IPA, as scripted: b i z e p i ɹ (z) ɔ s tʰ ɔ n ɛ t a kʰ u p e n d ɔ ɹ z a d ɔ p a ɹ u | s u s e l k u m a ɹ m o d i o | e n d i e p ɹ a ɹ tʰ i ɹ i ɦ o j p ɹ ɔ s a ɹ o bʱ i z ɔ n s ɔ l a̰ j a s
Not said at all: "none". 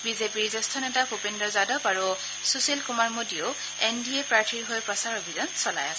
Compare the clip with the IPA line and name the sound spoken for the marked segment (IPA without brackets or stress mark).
z